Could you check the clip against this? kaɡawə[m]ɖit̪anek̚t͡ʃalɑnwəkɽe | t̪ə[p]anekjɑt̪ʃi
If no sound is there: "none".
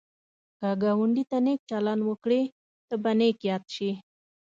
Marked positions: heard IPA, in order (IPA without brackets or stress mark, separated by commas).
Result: ɳ, b